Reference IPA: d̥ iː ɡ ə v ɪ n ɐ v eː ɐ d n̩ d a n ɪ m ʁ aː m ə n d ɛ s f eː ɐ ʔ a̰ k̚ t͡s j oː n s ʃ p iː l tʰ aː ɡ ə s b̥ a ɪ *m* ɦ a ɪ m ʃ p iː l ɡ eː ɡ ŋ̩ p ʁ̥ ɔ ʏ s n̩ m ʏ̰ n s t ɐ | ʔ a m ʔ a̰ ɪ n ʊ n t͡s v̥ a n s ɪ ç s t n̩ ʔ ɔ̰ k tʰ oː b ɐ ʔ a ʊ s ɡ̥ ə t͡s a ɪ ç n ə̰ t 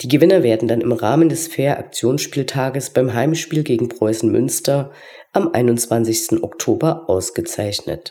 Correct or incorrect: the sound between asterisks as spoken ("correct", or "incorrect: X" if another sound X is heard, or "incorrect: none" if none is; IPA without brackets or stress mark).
correct